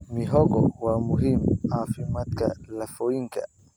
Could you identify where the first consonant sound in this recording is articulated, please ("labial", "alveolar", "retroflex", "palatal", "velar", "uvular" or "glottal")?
labial